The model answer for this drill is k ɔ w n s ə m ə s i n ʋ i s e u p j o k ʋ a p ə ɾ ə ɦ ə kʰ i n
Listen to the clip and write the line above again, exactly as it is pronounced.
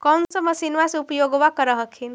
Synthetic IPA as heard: k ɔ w n s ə m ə s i n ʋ a s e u p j o ɡ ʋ a k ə ɾ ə ɦ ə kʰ i n

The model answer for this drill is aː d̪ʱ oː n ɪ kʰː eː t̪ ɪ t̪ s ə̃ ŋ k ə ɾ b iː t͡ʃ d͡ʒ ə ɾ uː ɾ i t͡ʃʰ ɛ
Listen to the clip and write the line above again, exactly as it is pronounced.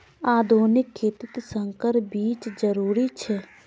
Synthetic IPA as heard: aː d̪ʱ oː n ɪ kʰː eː t̪ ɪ t̪ s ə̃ ŋ k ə ɾ b iː t͡ʃ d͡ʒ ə ɾ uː ɾ i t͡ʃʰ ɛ

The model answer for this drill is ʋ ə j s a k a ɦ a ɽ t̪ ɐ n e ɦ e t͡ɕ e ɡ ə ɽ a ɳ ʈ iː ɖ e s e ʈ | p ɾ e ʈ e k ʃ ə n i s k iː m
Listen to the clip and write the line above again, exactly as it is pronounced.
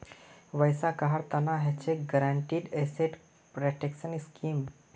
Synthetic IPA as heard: ʋ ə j s a k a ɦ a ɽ t̪ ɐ n a ɦ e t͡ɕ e ɡ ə ɾ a ɳ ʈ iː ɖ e s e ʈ | p ɾ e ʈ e k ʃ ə n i s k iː m

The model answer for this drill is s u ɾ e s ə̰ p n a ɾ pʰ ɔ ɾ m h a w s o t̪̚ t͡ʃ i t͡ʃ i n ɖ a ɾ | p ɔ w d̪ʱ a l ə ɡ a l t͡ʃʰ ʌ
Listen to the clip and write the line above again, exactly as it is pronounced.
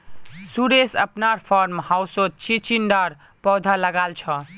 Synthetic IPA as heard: s u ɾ e s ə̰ p n a ɾ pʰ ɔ ɾ m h a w s o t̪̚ t͡ʃ i t͡ʃ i n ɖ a ɾ | p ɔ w d̪ʱ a l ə ɡ a l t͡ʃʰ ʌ

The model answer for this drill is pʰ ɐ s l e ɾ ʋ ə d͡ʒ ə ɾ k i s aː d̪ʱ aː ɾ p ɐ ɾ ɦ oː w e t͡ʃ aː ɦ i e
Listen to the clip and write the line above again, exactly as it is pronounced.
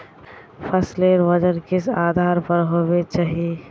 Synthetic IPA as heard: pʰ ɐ s l e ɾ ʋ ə d͡ʒ ə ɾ k ɪ s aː d̪ʱ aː ɾ p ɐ ɾ ɦ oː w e t͡ʃ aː ɦ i e

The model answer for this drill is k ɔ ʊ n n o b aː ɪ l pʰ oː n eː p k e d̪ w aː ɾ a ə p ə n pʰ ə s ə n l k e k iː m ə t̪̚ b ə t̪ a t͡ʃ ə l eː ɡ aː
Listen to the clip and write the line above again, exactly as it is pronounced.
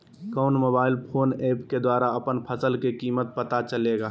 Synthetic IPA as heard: k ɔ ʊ n m o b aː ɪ l pʰ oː n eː p k e d̪ w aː ɾ a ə p ə n pʰ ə s ə l k e k iː m ə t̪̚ p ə t̪ a t͡ʃ ə l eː ɡ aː

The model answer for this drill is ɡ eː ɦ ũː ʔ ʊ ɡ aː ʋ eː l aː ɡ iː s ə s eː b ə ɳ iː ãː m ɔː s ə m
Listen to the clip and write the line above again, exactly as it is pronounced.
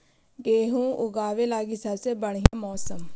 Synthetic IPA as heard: ɡ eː ɦ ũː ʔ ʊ ɡ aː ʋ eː l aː ɡ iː s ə s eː b ə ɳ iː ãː m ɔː s ə m

